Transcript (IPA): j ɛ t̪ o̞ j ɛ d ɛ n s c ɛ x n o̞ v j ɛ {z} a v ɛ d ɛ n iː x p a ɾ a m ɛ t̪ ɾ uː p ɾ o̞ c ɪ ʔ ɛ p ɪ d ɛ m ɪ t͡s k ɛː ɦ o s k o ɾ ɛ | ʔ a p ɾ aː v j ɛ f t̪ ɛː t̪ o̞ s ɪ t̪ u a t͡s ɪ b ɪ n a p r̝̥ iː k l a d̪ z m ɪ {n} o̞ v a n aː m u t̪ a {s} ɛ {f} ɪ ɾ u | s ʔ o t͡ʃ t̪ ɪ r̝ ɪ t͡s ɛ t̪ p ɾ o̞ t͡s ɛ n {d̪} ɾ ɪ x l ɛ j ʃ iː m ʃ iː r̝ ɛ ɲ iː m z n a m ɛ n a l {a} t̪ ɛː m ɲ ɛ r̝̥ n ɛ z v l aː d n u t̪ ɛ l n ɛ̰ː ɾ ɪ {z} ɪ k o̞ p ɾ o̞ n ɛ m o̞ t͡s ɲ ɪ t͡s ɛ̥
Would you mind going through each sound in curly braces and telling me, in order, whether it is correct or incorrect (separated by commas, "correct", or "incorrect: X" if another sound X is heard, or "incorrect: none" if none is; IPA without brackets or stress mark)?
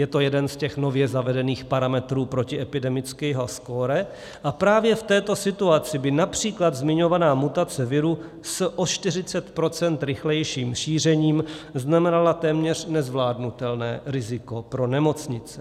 correct, incorrect: ɲ, incorrect: t͡s, incorrect: v, incorrect: t̪, correct, correct